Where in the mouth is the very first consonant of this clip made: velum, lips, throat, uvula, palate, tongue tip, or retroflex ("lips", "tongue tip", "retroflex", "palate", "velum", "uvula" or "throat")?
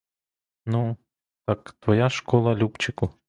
tongue tip